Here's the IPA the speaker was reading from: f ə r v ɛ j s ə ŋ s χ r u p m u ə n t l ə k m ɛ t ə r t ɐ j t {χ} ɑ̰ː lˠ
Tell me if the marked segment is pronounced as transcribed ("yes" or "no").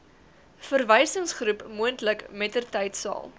no